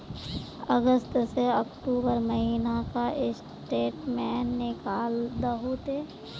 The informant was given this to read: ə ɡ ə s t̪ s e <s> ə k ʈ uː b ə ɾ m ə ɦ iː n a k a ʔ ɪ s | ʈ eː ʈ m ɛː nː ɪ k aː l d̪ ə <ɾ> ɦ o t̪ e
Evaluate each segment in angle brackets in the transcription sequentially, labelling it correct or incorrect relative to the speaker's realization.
incorrect: none, incorrect: none

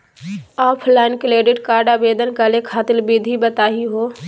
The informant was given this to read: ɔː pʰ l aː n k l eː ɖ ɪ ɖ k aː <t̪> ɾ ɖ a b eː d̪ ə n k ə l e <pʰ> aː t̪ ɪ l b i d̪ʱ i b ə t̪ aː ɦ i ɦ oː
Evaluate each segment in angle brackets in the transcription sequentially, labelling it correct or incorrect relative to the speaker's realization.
incorrect: none, incorrect: kʰ

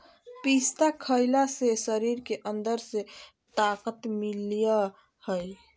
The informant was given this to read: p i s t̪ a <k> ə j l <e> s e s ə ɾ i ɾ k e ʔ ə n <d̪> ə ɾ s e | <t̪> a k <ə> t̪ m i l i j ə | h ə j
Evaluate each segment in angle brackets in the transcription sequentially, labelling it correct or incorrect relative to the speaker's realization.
incorrect: kʰ, incorrect: a, correct, correct, correct

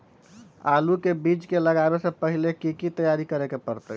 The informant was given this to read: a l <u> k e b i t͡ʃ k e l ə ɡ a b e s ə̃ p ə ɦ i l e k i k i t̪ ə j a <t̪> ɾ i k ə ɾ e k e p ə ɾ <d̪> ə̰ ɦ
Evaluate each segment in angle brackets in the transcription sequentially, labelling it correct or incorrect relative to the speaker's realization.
correct, incorrect: none, incorrect: t̪

